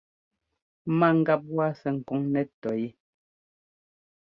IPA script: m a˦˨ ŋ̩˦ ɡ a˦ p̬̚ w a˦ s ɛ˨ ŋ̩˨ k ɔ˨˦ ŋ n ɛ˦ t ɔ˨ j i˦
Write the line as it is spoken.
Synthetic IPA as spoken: m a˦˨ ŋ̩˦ ɡ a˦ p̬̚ w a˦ s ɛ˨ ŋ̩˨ k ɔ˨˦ ŋ n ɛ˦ t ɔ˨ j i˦